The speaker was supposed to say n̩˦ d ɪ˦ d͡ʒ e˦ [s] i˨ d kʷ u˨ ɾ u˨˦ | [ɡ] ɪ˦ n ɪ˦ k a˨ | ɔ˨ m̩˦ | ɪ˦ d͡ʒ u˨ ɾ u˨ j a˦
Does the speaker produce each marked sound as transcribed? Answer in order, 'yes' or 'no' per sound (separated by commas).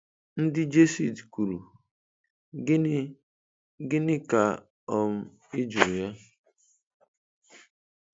yes, yes